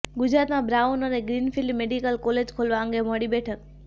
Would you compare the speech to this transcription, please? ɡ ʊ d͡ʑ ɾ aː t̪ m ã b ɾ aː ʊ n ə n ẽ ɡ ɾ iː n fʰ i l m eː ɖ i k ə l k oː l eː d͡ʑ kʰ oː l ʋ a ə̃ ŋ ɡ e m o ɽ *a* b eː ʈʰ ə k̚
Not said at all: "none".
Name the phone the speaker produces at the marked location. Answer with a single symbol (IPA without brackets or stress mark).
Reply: i